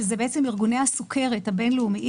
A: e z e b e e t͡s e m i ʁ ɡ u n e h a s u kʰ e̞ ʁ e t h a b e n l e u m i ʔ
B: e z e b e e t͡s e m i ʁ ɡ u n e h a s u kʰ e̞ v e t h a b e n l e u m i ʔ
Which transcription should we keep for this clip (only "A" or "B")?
A